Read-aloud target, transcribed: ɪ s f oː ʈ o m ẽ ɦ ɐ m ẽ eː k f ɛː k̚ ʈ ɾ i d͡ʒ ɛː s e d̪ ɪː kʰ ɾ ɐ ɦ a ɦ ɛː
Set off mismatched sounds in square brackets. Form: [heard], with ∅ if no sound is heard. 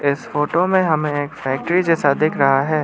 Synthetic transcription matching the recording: ɪ s f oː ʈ o m ẽ ɦ ɐ m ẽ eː k f ɛː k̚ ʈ ɾ i d͡ʒ ɛː s [a] d̪ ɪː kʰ ɾ ɐ ɦ a ɦ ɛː